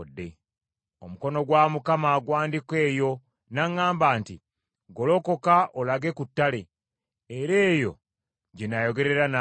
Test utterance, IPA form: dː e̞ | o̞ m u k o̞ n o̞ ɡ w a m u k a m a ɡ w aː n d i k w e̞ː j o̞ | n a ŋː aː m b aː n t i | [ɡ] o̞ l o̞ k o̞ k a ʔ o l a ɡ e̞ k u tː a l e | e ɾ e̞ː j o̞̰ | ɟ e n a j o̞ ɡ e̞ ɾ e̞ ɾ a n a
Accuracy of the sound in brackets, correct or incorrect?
correct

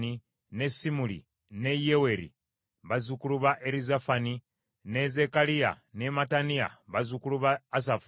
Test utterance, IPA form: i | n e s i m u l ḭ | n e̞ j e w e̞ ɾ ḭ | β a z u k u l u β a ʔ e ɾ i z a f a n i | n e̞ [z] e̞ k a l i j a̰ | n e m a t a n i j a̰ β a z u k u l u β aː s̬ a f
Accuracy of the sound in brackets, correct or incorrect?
correct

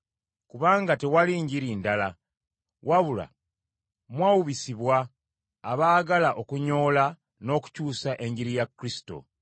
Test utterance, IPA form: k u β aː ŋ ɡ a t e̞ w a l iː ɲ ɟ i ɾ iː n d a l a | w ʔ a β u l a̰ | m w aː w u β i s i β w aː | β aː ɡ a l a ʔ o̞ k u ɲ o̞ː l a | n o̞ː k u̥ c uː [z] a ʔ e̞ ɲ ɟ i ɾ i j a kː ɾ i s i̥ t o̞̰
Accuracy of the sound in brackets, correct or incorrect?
incorrect: s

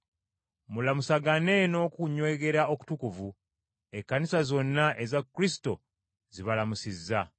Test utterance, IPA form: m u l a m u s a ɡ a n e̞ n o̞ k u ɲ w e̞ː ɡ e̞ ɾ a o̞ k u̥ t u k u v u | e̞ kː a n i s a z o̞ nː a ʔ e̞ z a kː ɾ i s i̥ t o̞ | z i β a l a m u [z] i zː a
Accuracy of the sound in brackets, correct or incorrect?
incorrect: s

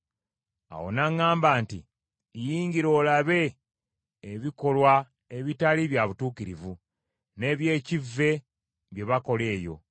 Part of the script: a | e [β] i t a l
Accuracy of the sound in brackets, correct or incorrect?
correct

